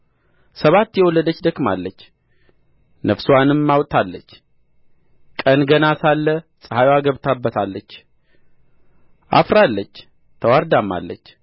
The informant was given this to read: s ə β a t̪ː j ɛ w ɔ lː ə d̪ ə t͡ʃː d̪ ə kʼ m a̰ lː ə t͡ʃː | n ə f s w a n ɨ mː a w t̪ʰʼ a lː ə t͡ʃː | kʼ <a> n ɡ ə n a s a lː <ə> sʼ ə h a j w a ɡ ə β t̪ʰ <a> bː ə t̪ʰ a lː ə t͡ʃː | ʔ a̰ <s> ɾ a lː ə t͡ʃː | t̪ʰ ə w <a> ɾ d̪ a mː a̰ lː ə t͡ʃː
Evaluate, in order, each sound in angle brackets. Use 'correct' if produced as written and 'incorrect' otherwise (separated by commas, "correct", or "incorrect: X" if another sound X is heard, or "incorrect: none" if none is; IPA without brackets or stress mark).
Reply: incorrect: ə, correct, correct, incorrect: f, correct